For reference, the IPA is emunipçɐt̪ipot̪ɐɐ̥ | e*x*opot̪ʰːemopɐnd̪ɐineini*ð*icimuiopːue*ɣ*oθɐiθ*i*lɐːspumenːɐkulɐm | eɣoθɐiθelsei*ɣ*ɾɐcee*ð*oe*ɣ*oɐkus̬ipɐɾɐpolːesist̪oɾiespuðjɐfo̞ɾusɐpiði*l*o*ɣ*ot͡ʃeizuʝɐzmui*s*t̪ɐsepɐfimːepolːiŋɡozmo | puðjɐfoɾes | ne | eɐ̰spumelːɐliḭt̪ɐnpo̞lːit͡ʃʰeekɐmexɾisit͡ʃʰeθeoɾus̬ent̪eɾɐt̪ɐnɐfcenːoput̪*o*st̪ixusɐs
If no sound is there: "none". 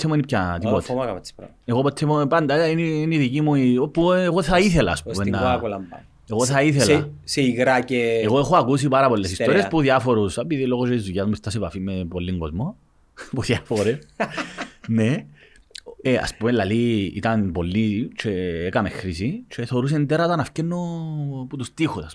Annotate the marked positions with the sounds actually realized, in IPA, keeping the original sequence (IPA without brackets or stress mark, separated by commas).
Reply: ɣ, ð, ɣ, e, ɣ, ɣ, x, l, ɣ, s, u